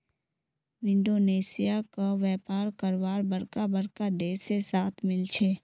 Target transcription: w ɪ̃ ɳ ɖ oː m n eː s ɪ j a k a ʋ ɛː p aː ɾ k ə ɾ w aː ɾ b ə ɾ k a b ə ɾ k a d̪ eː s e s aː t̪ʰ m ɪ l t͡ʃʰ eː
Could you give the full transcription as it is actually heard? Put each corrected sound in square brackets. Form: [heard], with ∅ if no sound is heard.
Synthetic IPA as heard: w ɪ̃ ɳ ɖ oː [∅] n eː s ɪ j a k a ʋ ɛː p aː ɾ k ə ɾ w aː ɾ b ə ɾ k a b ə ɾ k a d̪ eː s e s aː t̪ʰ m ɪ l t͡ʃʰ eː